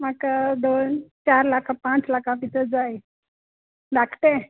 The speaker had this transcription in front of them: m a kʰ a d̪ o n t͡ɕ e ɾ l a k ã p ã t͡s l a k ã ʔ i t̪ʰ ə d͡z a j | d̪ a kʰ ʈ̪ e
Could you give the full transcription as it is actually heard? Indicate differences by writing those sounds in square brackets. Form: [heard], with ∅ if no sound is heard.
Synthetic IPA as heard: m a [k] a d̪ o n t͡ɕ [a] ɾ l a k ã p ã t͡s l a k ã [p] i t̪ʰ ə d͡z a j | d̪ a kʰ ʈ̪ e

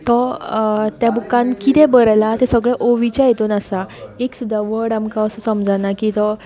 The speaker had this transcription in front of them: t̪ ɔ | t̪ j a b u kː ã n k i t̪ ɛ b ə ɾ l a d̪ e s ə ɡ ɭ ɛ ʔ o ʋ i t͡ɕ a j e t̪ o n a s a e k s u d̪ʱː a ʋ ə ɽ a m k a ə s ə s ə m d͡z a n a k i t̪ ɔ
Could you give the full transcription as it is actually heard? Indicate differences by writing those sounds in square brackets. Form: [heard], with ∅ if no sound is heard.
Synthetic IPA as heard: t̪ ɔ | t̪ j a b u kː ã n k i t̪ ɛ b ə ɾ l a [t̪] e s ə ɡ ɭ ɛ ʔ o ʋ i t͡ɕ a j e t̪ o n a s a e k s u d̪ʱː a ʋ ə ɽ a m k a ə s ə s ə m d͡z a n a k i t̪ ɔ

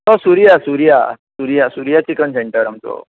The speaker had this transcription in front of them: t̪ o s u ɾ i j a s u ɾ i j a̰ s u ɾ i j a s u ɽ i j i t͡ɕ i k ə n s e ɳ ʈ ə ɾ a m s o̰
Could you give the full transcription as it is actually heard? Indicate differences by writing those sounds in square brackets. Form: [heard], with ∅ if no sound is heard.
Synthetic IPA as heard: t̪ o s u ɾ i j a s u ɾ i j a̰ s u ɾ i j a s u [ɾ] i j [a] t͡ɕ i k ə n s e ɳ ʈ ə ɾ a m [t͡s] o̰

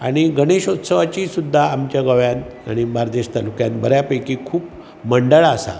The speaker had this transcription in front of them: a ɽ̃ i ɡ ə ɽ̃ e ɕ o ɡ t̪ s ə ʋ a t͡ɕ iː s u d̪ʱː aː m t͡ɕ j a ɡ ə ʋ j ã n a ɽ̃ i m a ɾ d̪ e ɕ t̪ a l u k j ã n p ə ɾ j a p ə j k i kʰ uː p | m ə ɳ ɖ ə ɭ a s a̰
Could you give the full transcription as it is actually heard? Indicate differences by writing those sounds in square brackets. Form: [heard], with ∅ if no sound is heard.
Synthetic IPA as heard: a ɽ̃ i ɡ ə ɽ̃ e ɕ o [∅] t̪ s ə ʋ a t͡ɕ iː s u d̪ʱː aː m t͡ɕ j a ɡ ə ʋ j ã n a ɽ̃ i m a ɾ d̪ e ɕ t̪ a l u k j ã n [b] ə ɾ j a p ə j k i kʰ uː p | m ə ɳ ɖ ə ɭ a s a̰

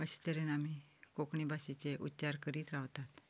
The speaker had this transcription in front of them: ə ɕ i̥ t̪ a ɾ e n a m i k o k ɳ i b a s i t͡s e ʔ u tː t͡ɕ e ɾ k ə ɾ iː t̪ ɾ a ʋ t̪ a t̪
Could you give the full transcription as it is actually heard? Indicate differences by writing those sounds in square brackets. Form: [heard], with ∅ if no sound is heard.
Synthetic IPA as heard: ə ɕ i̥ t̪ [ə] ɾ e n a m i k o k ɳ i b a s i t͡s e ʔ u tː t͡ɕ [a] ɾ k ə ɾ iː t̪ ɾ a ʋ t̪ a t̪

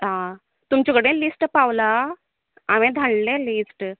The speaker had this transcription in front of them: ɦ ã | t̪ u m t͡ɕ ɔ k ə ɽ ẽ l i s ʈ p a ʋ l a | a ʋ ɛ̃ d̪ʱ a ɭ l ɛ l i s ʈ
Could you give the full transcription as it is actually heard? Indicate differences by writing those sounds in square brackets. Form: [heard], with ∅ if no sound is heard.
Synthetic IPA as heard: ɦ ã | t̪ u m t͡ɕ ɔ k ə ɽ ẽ l i s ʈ p a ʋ l a | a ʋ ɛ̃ d̪ʱ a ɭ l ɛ l i s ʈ

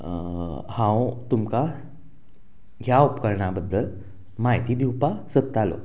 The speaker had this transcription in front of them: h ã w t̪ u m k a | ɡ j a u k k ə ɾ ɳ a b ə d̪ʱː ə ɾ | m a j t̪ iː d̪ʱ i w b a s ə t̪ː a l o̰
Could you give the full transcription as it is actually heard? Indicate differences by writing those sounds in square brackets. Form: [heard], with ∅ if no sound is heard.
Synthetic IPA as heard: h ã w t̪ u m k a | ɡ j a u [p] k ə ɾ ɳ a b ə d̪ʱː ə [l] | m a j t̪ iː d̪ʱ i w [p] a s ə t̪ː a l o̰

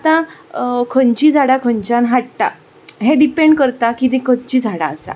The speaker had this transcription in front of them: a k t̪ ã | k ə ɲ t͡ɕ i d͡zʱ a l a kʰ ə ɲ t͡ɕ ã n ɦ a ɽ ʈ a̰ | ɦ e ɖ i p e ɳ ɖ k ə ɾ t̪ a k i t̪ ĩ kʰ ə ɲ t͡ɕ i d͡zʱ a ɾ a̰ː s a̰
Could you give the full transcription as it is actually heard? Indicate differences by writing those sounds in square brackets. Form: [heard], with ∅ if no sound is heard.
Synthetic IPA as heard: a [∅] t̪ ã | [kʰ] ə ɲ t͡ɕ i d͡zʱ a [ɽ] a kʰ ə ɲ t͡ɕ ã n ɦ a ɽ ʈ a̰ | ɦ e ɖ i p e ɳ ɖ k ə ɾ t̪ a k i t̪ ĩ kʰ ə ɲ t͡ɕ i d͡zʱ a [ɽ] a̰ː s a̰

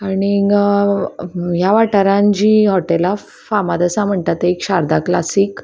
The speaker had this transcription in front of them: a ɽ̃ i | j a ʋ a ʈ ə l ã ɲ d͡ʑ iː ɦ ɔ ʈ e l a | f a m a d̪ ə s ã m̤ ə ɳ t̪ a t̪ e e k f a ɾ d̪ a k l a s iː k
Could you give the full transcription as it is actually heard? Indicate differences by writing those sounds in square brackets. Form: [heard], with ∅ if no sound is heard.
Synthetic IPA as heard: a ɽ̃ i | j a ʋ a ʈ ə [ɾ] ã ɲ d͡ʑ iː ɦ ɔ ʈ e l a | f a m a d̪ ə s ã m̤ ə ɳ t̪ a t̪ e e k [ɕ] a ɾ d̪ a k l a s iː k

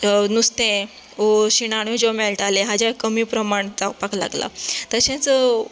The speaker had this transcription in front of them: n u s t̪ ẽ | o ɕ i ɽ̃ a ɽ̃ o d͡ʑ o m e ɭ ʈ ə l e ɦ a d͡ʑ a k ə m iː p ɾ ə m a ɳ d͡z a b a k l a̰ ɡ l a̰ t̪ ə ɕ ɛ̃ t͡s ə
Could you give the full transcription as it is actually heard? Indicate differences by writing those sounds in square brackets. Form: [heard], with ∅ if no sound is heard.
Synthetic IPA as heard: n u s t̪ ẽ | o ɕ i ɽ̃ a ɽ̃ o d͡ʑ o m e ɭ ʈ [a] l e ɦ a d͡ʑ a k ə m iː p ɾ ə m a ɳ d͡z a [p] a k l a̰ ɡ l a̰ t̪ ə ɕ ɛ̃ t͡s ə

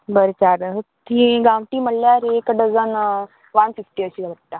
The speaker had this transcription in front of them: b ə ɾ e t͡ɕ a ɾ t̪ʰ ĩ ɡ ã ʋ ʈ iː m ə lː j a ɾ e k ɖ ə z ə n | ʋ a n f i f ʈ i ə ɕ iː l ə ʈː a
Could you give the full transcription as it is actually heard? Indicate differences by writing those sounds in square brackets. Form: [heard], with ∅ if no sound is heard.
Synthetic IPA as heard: b ə ɾ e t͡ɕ a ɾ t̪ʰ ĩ ɡ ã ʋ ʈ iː m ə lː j a ɾ e k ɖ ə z ə n | ʋ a n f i f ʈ i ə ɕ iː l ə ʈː a

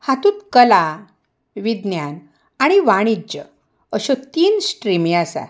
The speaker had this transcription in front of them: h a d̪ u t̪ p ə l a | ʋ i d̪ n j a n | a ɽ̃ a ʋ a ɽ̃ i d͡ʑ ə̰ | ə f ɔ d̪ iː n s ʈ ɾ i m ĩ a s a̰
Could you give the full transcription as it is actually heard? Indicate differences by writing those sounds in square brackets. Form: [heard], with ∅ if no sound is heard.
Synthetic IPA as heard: h a [t̪] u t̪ [k] ə l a | ʋ i d̪ n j a n | a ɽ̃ [i] ʋ a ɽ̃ i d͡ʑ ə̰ | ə [ɕ] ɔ [t̪] iː n s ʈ ɾ i m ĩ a s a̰

